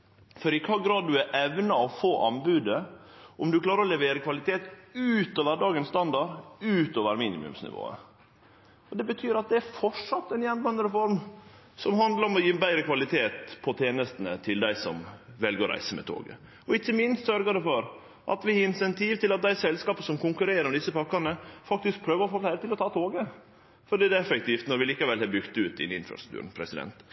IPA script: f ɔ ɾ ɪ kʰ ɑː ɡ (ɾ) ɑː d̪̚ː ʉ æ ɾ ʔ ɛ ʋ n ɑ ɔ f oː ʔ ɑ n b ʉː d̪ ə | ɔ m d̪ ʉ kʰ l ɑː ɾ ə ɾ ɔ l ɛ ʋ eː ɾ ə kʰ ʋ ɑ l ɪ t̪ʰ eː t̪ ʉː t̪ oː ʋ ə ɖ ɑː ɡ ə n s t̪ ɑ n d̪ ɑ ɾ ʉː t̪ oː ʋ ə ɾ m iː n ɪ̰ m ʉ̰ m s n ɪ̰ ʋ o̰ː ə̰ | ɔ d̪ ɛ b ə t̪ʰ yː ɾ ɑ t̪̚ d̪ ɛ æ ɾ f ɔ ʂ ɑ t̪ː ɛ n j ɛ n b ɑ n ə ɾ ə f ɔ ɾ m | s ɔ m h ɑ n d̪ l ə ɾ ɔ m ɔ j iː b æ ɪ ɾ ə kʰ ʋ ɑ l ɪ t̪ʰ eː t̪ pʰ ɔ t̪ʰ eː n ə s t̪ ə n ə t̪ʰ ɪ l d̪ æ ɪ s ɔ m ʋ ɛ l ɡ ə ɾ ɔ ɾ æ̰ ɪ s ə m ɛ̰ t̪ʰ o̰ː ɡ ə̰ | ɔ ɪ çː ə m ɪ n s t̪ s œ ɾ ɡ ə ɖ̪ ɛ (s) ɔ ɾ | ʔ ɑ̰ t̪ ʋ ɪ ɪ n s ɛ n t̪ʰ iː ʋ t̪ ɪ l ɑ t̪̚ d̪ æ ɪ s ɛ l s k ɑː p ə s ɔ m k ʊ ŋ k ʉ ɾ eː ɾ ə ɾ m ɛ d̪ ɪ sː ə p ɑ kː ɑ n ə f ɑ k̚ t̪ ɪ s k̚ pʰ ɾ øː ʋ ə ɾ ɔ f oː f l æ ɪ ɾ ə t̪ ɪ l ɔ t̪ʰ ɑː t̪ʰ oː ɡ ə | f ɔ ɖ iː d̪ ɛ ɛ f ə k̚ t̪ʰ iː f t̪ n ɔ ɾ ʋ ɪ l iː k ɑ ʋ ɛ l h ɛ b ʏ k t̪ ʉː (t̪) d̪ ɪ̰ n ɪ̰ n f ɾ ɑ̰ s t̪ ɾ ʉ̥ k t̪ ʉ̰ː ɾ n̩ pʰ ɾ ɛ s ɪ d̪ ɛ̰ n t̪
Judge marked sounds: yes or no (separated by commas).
yes, no, yes